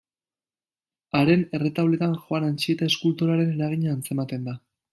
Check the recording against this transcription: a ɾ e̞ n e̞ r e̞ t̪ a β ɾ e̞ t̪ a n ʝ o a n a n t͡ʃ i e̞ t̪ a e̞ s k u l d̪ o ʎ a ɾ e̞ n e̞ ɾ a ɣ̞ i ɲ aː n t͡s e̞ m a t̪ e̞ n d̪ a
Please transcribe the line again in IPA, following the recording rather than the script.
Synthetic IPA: a ɾ e̞ n e̞ r e̞ t̪ a β l e̞ t̪ a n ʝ o a n a n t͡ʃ i e̞ t̪ a e̞ s k u l t̪ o ɾ a ɾ e̞ n e̞ ɾ a ɣ̞ i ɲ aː n t͡s e̞ m a t̪ e̞ n d̪ a

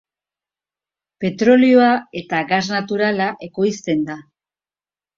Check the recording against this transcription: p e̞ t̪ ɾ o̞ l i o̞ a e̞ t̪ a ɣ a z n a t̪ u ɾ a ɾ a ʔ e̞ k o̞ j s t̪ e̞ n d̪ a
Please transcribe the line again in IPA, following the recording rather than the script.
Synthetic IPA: p e̞ t̪ ɾ o̞ l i o̞ a e̞ t̪ a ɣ a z n a t̪ u ɾ a l a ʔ e̞ k o̞ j s t̪ e̞ n d̪ a

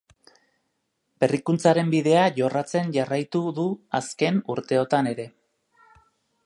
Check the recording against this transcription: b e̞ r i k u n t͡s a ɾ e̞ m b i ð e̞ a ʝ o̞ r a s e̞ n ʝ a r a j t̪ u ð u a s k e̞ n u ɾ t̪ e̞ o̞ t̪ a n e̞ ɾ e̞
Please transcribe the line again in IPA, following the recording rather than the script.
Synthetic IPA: b e̞ r i k u n t͡s a ɾ e̞ m b i ð e̞ a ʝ o̞ r a t͡s e̞ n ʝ a r a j t̪ u ð u a s k e̞ n u ɾ t̪ e̞ o̞ t̪ a n e̞ ɾ e̞

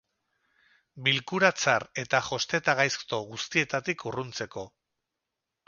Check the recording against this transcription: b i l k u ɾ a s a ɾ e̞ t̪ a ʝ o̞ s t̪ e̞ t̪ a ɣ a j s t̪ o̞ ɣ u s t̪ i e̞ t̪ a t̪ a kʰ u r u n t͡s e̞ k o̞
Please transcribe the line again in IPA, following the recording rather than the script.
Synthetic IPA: b i l k u ɾ a t͡s a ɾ e̞ t̪ a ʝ o̞ s t̪ e̞ t̪ a ɣ a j s t̪ o̞ ɣ u s t̪ i e̞ t̪ a t̪ i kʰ u r u n t͡s e̞ k o̞

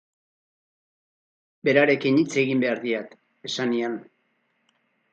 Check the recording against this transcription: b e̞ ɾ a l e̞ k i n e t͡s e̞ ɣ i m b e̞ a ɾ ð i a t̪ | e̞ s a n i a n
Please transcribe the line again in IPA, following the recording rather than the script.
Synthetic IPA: b e̞ ɾ a ɾ e̞ k i n i t͡s e̞ ɣ i m b e̞ a ɾ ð i a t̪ | e̞ s a n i a n

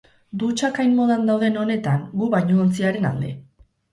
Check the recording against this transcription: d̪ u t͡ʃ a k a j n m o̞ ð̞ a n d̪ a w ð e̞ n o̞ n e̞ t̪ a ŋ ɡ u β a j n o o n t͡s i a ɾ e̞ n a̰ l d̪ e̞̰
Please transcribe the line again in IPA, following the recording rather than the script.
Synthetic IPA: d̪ u t͡ʃ a k a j n m o̞ ð̞ a n d̪ a w ð e̞ n o̞ n e̞ t̪ a ŋ ɡ u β a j ɲ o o n t͡s i a ɾ e̞ n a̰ l d̪ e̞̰

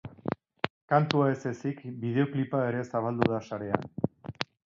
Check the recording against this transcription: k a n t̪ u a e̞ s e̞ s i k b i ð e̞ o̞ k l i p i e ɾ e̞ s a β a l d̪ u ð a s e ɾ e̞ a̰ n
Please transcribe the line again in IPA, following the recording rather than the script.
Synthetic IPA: k a n t̪ u a e̞ s e̞ s i k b i ð e̞ o̞ k l i p a e ɾ e̞ s a β a l d̪ u ð a s a ɾ e̞ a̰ n

